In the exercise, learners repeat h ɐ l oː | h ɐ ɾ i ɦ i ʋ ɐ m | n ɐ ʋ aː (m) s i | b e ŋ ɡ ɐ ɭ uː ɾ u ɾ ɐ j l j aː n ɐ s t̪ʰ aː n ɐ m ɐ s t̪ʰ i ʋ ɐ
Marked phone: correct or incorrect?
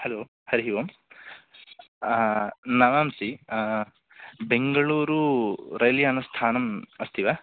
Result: correct